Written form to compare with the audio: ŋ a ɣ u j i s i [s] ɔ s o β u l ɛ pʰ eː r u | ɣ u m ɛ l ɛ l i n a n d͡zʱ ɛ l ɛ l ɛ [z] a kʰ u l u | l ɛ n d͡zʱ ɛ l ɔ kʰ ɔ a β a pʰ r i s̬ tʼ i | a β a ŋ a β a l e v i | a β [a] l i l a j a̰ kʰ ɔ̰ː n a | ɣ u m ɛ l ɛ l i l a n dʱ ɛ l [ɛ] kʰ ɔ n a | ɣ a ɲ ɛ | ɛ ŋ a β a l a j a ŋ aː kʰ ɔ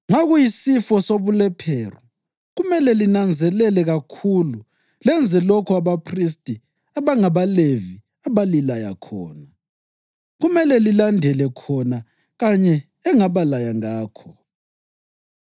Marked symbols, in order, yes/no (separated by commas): no, no, yes, yes